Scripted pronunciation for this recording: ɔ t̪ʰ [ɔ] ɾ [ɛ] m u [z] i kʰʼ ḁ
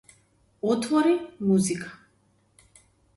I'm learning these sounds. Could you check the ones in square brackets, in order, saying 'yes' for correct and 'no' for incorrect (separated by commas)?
yes, no, yes